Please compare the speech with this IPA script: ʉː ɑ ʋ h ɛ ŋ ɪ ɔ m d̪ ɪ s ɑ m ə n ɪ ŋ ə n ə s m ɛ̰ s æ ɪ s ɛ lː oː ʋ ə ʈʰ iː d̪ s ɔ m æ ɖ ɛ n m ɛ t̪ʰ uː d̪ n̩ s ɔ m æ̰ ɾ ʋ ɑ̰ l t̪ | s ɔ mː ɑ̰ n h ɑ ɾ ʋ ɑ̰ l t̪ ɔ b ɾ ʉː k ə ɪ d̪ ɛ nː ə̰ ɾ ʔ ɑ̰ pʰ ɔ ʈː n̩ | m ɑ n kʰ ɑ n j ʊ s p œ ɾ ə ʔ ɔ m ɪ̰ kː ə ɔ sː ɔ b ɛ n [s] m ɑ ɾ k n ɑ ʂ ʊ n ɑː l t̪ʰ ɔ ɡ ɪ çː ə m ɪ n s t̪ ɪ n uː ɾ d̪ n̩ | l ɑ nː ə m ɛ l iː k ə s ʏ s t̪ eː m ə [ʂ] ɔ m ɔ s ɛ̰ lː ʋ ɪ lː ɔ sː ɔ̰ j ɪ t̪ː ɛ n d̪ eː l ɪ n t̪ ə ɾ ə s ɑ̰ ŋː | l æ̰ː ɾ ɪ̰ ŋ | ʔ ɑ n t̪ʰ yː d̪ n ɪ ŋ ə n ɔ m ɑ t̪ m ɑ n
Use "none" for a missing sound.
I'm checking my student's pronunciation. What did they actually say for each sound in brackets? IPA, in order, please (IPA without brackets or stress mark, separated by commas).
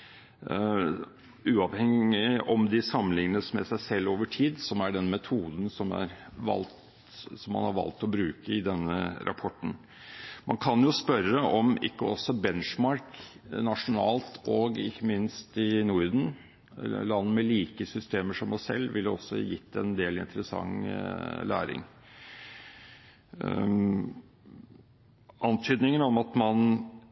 ʂ, ʂ